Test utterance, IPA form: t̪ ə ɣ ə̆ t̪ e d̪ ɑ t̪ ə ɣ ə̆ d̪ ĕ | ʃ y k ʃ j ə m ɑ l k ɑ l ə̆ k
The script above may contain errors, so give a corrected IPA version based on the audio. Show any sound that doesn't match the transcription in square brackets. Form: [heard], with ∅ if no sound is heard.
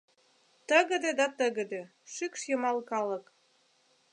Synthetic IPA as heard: t̪ ə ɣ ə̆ [d̪] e d̪ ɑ t̪ ə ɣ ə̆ d̪ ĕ | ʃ y k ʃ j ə m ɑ l k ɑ l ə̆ k